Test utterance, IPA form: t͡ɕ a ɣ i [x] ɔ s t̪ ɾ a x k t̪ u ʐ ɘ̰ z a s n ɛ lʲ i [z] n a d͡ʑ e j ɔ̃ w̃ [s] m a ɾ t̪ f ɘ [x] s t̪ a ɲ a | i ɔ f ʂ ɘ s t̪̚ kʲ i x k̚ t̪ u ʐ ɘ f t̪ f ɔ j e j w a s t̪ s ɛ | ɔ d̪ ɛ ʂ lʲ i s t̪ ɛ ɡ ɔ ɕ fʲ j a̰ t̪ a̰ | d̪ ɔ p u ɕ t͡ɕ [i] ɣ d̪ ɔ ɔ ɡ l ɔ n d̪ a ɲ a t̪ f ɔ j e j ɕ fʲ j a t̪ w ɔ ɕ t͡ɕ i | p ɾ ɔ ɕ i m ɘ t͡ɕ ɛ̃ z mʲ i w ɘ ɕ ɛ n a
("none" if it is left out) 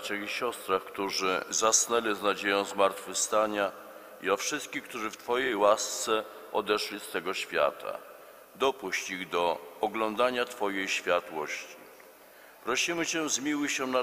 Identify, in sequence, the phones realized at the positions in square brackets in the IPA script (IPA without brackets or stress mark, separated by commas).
ɕ, z, z, f, i